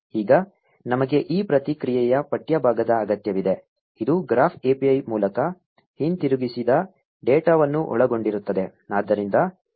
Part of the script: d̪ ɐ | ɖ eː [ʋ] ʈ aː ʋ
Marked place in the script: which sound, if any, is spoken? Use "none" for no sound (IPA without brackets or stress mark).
none